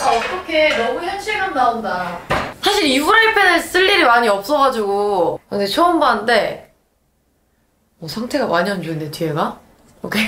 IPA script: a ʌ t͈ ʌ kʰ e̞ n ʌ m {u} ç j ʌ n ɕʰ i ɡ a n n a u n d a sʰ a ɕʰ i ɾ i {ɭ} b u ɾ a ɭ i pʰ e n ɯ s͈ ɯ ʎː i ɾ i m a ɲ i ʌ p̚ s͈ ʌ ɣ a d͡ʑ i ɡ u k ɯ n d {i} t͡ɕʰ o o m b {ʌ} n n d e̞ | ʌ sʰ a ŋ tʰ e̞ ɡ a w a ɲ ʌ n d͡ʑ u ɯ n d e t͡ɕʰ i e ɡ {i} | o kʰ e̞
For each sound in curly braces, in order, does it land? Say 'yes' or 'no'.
yes, no, no, no, no

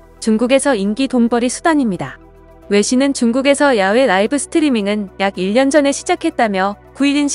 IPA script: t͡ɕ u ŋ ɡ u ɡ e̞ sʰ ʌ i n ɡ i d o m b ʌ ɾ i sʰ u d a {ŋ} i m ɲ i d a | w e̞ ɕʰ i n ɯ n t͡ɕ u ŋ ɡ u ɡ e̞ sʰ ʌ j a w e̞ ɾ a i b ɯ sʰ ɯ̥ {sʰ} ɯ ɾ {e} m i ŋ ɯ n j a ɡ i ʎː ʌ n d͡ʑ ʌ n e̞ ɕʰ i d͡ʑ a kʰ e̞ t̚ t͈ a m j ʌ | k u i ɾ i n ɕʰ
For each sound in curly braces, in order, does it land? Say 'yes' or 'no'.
no, no, no

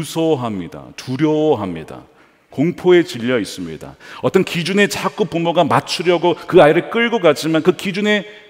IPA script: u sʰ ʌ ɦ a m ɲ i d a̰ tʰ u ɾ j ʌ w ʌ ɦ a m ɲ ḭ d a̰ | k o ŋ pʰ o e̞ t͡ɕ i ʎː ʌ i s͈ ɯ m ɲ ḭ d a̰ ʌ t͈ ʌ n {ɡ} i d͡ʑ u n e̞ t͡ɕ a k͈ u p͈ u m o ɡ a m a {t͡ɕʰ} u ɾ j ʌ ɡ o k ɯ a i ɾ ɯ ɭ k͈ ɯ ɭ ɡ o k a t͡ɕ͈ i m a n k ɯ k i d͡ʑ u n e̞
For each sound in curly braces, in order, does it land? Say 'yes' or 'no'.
no, yes

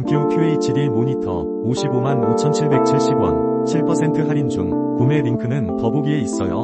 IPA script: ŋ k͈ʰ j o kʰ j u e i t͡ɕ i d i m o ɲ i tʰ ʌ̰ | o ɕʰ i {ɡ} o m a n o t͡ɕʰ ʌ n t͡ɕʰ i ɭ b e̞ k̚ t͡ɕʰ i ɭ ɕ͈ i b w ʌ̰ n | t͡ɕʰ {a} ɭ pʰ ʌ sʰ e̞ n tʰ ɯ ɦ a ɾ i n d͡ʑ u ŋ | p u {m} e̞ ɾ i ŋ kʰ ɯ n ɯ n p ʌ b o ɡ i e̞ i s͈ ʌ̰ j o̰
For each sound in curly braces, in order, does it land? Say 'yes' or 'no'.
no, no, yes

